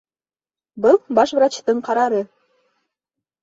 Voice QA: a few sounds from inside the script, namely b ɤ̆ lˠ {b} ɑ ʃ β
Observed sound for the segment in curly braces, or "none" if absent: b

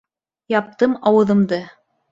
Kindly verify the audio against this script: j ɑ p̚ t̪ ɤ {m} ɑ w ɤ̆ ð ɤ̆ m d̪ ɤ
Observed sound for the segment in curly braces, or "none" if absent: m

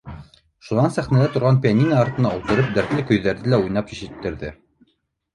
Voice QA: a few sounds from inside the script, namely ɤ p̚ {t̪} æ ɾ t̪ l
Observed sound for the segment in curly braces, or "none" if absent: d̪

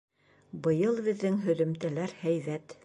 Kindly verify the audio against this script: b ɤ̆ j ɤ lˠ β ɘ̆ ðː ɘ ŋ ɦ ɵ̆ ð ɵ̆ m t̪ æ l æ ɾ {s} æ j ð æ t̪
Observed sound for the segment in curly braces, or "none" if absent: h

